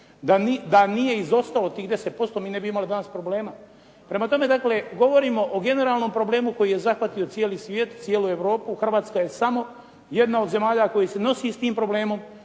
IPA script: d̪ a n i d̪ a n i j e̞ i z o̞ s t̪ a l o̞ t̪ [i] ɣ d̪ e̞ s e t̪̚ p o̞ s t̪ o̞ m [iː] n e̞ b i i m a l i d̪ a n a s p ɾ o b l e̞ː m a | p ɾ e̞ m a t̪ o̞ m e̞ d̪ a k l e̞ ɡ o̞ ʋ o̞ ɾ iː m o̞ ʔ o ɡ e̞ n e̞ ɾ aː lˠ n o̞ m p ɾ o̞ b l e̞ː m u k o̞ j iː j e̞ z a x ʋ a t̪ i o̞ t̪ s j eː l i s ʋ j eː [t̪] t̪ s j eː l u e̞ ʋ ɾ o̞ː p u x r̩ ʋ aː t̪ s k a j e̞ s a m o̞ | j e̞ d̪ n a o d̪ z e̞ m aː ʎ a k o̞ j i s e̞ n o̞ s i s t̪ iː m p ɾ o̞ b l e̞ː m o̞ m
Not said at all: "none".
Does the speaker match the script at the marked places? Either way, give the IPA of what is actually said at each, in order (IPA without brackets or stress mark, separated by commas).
iː, iː, t̪